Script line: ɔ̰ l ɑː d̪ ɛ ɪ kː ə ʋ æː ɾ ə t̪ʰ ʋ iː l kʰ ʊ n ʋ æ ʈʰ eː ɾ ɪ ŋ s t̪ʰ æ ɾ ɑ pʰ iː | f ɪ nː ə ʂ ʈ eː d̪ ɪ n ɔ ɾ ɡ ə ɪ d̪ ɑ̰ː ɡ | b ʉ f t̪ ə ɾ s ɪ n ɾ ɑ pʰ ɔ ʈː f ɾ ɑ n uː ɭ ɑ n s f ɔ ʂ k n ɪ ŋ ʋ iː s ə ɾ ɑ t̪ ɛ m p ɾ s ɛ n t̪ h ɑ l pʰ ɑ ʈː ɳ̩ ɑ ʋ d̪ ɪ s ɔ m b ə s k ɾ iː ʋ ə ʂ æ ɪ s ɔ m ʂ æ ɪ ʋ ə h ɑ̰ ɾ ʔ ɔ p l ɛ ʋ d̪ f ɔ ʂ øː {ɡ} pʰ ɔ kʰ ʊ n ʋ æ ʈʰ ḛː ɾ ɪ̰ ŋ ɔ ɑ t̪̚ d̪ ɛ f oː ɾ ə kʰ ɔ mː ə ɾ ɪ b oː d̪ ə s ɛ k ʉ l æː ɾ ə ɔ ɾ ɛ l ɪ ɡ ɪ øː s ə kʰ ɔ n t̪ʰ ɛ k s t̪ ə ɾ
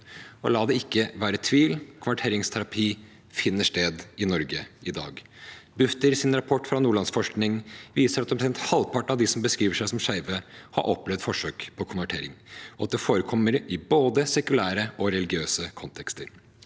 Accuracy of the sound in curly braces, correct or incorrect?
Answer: incorrect